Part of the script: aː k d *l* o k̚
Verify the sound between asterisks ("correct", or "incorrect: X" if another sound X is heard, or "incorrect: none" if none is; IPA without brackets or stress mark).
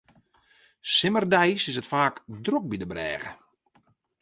incorrect: r